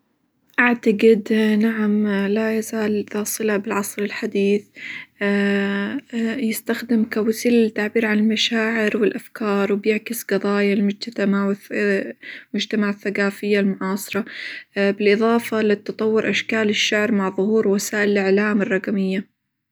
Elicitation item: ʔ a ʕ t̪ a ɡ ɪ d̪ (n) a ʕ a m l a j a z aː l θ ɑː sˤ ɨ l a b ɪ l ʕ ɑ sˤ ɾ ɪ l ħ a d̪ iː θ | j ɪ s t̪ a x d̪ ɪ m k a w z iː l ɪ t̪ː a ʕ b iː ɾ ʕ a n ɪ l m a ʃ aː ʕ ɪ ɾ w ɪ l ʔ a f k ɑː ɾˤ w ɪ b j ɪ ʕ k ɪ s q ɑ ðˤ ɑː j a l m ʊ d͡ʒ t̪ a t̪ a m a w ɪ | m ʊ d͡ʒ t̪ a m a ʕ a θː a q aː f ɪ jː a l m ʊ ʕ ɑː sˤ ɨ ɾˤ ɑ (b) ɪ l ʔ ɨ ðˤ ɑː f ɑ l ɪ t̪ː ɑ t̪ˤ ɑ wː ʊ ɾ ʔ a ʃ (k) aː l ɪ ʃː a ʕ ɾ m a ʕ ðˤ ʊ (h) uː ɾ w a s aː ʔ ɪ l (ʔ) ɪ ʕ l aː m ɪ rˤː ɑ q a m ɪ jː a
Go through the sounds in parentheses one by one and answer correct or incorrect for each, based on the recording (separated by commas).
correct, correct, correct, correct, correct